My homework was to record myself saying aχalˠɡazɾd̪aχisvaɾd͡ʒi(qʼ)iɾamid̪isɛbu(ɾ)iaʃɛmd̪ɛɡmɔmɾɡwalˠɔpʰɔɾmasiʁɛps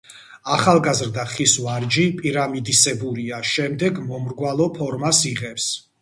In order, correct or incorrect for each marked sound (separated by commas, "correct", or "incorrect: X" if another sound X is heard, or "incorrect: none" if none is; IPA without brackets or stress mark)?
incorrect: pʼ, correct